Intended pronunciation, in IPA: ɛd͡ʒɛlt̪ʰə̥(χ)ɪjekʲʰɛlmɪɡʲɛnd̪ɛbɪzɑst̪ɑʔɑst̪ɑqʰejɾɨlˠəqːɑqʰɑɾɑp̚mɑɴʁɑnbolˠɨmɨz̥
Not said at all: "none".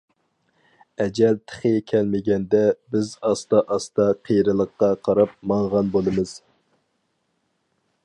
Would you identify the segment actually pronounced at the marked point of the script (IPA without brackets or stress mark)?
χ